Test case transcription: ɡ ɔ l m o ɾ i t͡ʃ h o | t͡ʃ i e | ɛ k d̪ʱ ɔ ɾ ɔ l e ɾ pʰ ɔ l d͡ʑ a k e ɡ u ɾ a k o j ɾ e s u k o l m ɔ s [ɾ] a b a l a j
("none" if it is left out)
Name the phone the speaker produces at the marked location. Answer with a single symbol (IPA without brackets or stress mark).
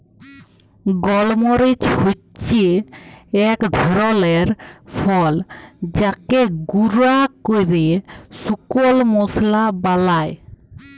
l